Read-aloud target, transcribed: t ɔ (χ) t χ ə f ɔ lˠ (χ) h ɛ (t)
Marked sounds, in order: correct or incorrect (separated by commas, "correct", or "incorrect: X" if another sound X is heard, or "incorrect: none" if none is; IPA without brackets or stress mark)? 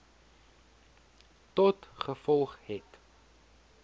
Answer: incorrect: none, correct, correct